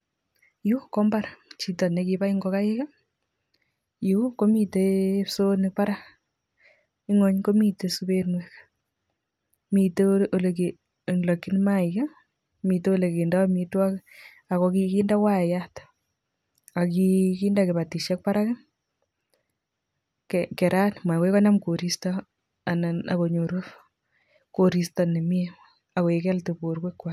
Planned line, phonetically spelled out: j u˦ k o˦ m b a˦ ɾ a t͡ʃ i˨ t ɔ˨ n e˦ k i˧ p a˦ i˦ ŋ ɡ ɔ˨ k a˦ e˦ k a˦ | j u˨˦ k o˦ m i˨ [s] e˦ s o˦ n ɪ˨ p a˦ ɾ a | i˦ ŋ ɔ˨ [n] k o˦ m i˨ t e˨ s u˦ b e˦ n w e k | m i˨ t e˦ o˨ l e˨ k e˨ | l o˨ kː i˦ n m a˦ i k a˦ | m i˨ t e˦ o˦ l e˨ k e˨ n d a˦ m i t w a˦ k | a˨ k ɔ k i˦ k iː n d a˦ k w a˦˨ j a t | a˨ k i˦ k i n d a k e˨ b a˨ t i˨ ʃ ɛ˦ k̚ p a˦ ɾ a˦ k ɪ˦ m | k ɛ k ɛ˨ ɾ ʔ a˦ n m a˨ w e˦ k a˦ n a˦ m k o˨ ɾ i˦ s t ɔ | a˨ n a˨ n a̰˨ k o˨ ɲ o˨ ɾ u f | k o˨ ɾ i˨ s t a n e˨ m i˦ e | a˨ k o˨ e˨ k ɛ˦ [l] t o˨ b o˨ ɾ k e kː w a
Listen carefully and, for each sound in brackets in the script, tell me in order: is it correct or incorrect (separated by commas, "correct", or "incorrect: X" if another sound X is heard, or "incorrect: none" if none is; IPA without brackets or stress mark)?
incorrect: t, incorrect: ɲ, correct